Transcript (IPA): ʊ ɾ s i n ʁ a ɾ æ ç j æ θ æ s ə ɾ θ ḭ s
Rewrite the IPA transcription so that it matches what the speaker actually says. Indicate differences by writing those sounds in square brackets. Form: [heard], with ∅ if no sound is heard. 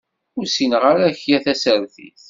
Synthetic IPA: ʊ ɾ s i n ʁ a ɾ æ ç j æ θ æ s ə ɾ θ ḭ [θ]